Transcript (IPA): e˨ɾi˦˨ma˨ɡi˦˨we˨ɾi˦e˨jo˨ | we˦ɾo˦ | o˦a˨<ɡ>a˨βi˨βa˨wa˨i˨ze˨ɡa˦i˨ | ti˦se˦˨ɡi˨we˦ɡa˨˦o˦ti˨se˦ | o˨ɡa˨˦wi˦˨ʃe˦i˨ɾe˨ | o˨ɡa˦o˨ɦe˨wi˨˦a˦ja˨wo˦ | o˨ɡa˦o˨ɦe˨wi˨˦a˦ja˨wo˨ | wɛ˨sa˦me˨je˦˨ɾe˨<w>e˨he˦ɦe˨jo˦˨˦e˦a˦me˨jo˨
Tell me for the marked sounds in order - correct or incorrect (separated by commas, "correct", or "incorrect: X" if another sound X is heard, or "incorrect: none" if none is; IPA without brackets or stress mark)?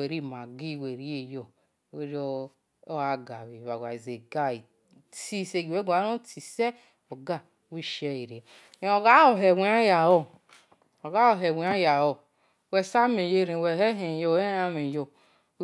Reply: correct, correct